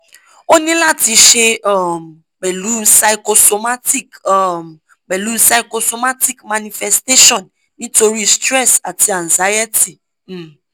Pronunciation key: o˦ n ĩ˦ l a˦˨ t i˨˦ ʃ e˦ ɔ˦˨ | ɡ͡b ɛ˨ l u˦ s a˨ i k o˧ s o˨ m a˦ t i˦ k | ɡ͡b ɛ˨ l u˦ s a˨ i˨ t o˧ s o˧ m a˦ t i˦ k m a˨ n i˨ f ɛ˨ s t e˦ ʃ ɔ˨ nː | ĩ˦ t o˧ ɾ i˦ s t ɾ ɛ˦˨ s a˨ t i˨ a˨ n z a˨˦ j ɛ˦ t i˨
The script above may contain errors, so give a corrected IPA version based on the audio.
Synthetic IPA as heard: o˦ n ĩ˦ l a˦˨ t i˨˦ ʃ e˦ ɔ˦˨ | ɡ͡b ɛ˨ l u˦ s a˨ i k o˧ s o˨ m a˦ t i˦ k | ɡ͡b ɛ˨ l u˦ s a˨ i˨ k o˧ s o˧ m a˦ t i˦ k m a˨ n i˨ f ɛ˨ s t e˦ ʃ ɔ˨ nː | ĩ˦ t o˧ ɾ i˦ s t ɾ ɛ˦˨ s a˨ t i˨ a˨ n z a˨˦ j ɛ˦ t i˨